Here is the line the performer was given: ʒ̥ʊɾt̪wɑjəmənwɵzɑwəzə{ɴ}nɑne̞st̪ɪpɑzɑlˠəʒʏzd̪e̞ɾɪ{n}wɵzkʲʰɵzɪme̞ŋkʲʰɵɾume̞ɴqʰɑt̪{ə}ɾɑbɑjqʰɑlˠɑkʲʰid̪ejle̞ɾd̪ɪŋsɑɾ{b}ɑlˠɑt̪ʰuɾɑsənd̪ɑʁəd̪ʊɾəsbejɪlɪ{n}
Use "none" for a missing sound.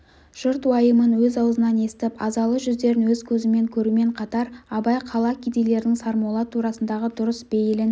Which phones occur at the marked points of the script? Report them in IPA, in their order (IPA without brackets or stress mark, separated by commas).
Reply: none, n, ɑ, m, n